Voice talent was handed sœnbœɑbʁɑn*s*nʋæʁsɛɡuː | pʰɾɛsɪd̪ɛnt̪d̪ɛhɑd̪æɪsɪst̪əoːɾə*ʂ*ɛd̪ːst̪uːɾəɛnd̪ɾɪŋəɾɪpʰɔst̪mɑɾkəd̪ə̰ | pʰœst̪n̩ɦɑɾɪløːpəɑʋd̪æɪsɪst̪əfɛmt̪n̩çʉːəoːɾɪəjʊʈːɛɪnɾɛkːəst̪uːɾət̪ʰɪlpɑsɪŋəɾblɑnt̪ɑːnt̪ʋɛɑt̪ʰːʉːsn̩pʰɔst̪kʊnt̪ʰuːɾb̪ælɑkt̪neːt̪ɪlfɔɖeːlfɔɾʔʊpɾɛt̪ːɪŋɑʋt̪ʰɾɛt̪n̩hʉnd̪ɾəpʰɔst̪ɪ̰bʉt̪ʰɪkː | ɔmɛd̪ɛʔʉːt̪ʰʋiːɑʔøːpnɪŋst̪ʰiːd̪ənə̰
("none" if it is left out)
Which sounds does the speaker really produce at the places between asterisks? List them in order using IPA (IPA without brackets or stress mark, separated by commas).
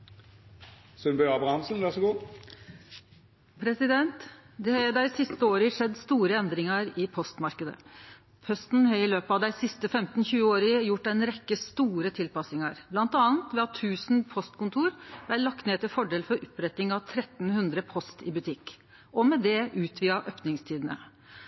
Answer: s, ʂ